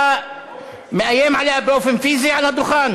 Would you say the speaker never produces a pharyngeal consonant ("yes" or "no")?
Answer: no